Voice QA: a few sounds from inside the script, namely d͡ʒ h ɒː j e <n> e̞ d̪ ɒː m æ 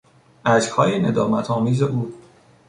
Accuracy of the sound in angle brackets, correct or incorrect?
correct